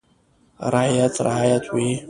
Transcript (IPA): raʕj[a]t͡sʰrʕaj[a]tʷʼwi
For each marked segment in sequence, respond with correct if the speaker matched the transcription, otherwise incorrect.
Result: correct, correct

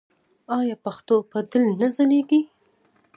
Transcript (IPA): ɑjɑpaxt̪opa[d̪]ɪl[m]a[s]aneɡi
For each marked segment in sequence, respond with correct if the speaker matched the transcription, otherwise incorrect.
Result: correct, incorrect: n, incorrect: z

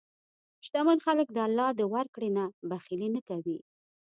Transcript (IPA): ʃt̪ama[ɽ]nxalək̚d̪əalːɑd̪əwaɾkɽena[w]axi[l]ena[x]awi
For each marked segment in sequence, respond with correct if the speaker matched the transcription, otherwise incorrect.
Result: incorrect: none, incorrect: b, correct, incorrect: k

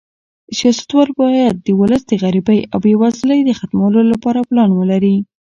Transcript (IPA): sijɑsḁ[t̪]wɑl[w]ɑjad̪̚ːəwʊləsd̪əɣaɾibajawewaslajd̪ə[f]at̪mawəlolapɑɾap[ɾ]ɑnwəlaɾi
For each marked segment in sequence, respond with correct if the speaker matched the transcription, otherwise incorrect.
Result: correct, incorrect: b, incorrect: x, incorrect: l

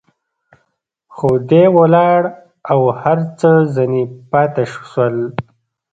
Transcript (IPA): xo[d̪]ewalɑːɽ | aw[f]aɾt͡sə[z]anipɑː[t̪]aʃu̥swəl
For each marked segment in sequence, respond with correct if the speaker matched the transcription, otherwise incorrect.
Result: correct, incorrect: h, correct, correct

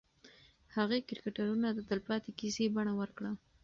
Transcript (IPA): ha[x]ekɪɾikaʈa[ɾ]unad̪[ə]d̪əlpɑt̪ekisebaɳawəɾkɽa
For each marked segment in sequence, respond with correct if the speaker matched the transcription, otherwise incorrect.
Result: incorrect: ɣ, correct, correct

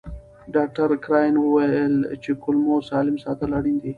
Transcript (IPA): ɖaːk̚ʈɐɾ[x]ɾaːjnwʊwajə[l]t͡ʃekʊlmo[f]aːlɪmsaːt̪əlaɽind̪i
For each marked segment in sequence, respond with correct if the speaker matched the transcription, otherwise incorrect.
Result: incorrect: k, correct, incorrect: s

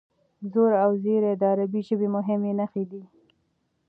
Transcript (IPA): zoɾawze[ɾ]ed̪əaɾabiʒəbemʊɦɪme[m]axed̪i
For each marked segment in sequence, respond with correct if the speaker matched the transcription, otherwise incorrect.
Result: correct, incorrect: n

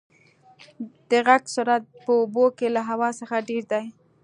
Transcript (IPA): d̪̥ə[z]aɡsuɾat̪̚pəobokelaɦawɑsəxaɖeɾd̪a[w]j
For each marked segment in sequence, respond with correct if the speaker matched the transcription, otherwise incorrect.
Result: incorrect: ɣ, incorrect: none

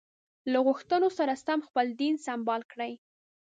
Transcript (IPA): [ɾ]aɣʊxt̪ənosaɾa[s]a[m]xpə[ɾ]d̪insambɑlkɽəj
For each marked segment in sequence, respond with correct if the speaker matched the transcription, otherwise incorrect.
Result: incorrect: l, correct, correct, incorrect: l

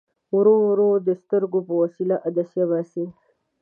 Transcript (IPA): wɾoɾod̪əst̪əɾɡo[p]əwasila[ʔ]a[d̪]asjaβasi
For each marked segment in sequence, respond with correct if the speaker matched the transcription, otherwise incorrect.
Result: correct, correct, correct

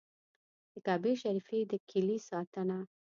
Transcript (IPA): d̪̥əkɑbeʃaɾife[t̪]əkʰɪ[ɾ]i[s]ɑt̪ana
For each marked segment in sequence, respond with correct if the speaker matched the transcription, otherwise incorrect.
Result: incorrect: d̪, incorrect: l, correct

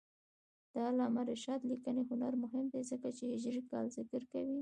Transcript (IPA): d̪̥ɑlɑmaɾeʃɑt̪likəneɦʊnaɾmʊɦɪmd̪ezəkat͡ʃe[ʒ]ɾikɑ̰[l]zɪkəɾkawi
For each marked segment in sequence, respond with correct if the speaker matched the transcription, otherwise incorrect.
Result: correct, correct

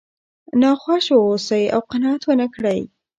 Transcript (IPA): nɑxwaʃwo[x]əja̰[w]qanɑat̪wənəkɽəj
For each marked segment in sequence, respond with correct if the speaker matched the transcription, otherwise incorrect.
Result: incorrect: s, correct

